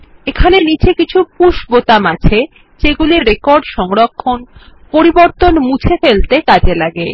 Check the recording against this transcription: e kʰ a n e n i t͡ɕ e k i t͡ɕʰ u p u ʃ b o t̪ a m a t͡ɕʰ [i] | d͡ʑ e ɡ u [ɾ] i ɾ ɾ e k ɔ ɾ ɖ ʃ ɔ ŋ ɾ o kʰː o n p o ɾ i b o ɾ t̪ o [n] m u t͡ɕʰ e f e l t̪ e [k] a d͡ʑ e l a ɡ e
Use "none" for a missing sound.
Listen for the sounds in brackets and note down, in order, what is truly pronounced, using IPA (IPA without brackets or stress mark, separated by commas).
e, l, n, k